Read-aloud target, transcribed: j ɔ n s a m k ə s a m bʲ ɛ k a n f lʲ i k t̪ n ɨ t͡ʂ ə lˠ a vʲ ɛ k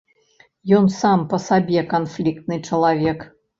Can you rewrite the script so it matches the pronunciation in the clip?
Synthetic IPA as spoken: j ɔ n s a m p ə s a bʲ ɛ k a n f lʲ i k t̪ n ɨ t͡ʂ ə lˠ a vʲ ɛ k